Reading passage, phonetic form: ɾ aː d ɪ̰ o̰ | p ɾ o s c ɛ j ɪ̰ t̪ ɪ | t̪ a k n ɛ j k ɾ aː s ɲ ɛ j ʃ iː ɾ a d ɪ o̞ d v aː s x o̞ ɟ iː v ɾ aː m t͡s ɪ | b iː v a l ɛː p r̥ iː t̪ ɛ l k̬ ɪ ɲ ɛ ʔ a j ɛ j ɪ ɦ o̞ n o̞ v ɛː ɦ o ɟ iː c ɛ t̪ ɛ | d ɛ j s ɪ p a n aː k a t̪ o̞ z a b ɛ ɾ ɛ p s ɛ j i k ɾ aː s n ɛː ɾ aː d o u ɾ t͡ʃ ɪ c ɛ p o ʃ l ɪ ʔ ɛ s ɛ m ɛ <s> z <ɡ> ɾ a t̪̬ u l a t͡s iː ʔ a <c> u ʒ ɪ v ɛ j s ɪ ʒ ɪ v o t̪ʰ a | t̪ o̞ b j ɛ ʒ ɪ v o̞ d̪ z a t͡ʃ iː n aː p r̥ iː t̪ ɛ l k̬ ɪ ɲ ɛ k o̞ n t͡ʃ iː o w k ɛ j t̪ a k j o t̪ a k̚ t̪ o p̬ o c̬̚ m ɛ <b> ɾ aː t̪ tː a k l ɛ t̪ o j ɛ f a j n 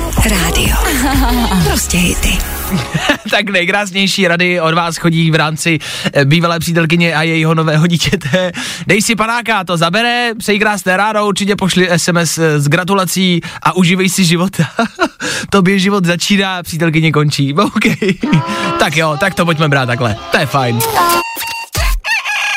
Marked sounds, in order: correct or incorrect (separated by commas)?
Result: correct, correct, incorrect, correct